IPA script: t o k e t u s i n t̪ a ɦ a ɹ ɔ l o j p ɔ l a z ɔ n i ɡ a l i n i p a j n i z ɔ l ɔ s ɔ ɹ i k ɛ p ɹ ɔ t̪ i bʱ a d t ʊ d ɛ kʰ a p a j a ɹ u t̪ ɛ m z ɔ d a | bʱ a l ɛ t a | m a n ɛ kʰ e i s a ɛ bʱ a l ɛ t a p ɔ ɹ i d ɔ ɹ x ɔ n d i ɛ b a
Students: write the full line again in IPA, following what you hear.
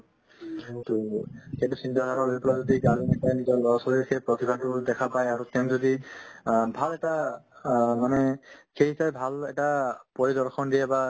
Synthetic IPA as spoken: t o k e t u s i n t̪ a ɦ a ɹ ɔ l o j p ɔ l a z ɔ d i ɡ a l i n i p a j n i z ɔ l ɔ s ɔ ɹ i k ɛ p ɹ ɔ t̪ i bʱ a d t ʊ d ɛ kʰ a p a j a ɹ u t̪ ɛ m z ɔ d i | bʱ a l ɛ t a | m a n ɛ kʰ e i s a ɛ bʱ a l ɛ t a p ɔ ɹ i d ɔ ɹ x ɔ n d i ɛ b a